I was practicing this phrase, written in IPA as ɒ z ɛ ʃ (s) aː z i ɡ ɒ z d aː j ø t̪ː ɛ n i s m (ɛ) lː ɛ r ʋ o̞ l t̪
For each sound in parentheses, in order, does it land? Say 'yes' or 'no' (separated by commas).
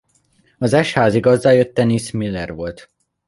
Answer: no, no